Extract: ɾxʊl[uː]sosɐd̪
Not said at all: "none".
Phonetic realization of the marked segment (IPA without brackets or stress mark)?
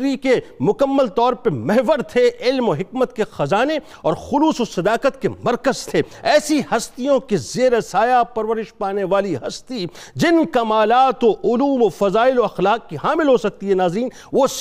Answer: uː